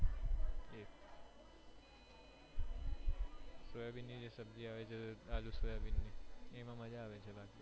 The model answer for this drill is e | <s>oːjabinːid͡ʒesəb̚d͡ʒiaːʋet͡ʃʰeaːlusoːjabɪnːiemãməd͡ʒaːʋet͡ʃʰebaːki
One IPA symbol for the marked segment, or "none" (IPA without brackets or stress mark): s